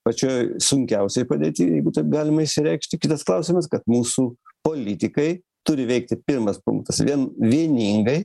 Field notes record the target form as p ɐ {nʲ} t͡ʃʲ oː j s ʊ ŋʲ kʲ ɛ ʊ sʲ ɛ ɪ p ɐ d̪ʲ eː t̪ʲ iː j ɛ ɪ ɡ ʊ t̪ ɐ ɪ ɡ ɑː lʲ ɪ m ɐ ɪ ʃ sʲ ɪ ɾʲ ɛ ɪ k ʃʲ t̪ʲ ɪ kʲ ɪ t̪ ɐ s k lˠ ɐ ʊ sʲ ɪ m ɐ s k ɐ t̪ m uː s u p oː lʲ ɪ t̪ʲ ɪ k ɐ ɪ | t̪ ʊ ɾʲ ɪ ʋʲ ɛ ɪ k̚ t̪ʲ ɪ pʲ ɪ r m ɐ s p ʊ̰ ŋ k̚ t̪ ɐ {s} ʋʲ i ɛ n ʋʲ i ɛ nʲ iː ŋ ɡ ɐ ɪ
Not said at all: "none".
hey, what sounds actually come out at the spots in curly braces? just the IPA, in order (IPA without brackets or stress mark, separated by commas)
none, s